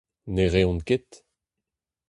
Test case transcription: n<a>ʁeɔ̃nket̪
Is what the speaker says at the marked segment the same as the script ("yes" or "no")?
no